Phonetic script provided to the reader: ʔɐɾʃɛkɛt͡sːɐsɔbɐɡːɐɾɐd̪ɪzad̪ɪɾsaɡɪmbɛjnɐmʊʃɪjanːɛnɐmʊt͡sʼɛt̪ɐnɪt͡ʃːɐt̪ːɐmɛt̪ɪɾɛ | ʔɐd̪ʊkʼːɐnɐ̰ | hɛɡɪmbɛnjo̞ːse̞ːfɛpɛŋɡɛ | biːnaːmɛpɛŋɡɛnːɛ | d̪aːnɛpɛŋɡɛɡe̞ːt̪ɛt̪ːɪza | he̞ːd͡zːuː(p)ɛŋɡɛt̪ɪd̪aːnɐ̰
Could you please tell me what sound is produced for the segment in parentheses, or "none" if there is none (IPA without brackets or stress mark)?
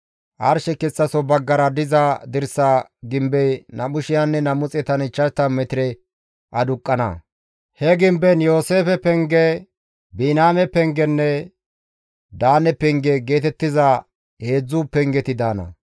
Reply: p